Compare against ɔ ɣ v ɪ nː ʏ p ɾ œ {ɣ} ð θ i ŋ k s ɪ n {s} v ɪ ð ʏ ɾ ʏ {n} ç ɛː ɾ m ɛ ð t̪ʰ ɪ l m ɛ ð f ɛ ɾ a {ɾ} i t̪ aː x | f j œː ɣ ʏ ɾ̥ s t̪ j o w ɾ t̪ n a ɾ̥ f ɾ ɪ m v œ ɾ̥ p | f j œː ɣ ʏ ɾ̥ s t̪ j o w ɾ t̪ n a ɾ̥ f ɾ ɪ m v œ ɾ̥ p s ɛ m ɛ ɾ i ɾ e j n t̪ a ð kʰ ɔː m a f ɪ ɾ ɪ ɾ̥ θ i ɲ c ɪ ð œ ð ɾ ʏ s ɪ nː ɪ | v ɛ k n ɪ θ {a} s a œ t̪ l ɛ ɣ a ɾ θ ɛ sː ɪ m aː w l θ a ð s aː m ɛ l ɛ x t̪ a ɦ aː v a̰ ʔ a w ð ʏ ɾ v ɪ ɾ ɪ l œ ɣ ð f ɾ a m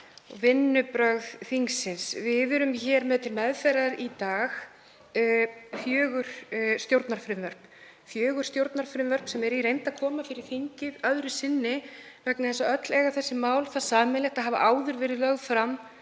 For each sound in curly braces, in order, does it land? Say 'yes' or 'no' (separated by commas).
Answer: yes, yes, no, yes, no